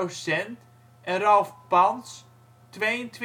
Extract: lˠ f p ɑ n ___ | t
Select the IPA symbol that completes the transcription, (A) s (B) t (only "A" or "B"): A